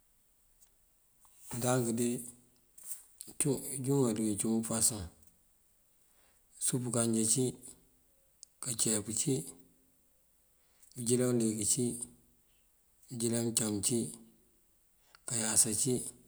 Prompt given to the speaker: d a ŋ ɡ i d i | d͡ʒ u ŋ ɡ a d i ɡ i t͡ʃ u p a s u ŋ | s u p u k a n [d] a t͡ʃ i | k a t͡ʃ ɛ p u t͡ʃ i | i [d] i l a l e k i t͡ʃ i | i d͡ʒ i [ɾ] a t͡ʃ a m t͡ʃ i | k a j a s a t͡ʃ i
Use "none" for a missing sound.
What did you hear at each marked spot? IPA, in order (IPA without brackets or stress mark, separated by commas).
d͡ʒ, d͡ʒ, l